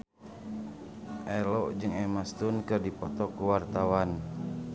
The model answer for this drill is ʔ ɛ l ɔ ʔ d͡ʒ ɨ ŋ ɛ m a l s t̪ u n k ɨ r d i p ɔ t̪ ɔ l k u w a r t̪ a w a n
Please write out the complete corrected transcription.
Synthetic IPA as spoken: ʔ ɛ l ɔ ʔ d͡ʒ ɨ ŋ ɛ m a s t̪ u n k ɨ r d i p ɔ t̪ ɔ k u w a r t̪ a w a n